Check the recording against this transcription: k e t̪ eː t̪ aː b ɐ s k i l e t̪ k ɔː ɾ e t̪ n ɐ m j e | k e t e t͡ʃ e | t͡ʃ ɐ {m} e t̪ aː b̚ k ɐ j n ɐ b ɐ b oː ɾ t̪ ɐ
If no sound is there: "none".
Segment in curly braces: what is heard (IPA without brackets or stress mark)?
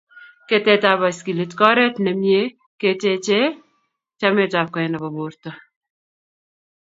m